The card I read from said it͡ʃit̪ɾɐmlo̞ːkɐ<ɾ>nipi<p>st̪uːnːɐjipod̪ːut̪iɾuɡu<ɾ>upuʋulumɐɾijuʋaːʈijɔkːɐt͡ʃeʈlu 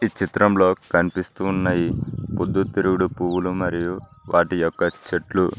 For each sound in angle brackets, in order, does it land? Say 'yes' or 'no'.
no, no, no

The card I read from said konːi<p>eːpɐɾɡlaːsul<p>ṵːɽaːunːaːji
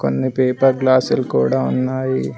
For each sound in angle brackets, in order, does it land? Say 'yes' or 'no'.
yes, no

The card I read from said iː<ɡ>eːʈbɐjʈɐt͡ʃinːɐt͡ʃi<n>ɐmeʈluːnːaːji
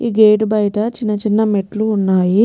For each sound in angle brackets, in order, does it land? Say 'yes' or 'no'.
yes, no

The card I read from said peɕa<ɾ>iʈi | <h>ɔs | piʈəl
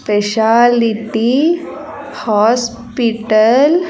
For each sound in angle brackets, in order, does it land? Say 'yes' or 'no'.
no, yes

